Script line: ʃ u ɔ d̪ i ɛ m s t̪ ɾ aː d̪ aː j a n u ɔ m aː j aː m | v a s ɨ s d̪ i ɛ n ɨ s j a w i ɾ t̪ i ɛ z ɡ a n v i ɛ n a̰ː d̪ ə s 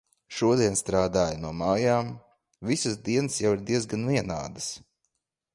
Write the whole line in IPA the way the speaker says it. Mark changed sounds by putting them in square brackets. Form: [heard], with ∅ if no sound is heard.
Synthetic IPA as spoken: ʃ u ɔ d̪ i ɛ [n] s t̪ ɾ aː d̪ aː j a n u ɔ m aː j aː m | v [i] s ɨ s d̪ i ɛ n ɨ s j a w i ɾ [d̪] i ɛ z ɡ a n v i ɛ n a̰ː d̪ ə s